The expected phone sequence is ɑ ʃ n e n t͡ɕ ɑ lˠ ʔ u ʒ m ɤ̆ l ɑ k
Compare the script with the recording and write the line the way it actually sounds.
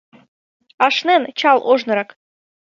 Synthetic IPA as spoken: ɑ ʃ n e n t͡ɕ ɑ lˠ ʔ o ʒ n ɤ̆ ɾ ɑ k